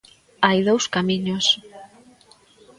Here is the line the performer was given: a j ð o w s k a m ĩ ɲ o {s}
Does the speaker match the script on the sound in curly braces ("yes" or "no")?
yes